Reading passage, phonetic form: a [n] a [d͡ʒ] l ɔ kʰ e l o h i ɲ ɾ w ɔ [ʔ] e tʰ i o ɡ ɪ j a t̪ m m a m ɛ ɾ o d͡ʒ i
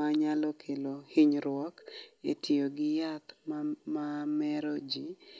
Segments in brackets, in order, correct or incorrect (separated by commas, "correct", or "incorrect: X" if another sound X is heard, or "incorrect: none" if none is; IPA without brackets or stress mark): incorrect: ɲ, incorrect: none, incorrect: k